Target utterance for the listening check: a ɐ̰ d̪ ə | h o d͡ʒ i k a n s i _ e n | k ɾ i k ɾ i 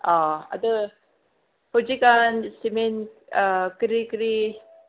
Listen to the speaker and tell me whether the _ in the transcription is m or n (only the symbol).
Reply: m